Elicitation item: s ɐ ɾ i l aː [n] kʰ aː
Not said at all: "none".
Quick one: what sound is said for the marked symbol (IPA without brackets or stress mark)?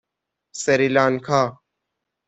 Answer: n